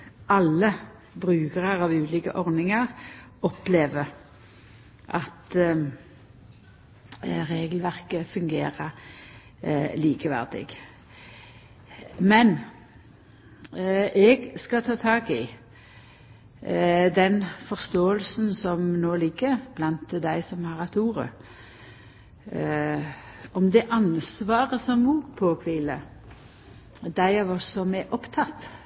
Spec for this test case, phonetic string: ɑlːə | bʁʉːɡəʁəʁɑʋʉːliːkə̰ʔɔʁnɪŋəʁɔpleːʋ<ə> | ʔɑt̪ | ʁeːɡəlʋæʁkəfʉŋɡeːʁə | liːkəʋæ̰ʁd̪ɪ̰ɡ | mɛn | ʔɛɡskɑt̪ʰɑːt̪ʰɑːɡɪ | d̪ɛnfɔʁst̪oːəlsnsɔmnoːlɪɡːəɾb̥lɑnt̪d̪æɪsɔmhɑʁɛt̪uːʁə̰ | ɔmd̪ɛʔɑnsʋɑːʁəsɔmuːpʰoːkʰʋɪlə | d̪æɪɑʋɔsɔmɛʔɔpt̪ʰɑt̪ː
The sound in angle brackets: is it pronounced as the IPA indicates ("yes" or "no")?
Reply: yes